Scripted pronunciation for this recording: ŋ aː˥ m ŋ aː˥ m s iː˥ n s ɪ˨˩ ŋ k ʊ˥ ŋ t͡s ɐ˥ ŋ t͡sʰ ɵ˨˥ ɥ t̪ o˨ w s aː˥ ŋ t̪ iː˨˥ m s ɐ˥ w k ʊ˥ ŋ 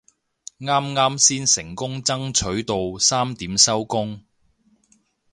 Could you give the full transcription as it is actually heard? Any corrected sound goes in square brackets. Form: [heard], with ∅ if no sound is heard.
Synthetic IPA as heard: ŋ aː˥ m ŋ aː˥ m s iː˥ n s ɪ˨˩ ŋ k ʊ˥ ŋ t͡s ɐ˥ ŋ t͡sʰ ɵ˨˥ ɥ t̪ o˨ w s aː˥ [m] t̪ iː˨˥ m s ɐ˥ w k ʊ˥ ŋ